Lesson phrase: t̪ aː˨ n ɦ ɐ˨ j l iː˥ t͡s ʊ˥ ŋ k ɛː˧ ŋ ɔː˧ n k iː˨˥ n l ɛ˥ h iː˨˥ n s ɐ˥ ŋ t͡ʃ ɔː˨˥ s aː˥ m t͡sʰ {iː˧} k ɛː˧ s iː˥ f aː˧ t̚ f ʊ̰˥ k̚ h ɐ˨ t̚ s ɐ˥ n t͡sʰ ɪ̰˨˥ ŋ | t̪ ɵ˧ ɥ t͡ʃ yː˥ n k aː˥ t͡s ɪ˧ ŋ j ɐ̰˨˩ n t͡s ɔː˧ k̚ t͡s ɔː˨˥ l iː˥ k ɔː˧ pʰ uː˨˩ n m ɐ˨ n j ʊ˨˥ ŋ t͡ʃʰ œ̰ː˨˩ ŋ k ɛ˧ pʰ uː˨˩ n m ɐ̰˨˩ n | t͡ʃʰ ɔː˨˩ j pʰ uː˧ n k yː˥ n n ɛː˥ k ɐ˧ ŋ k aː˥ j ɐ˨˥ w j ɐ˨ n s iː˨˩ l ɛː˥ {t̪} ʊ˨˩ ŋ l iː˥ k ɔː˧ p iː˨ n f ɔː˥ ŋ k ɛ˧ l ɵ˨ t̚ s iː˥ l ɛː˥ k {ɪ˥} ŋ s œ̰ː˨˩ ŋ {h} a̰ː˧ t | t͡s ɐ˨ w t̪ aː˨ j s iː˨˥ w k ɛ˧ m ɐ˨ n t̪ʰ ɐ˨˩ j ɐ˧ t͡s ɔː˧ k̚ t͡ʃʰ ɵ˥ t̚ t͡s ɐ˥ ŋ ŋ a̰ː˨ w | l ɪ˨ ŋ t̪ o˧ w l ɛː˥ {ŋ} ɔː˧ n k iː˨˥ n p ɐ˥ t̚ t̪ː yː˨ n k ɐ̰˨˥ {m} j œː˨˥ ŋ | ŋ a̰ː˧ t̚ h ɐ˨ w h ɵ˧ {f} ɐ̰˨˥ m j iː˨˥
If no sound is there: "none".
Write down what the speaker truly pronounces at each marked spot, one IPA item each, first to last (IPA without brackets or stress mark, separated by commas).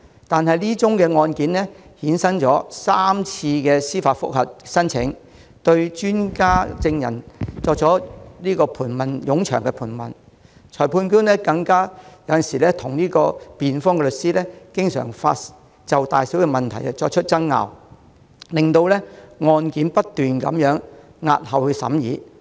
iː˧, t̪ʰ, ɪ˥, f, ŋ, m, s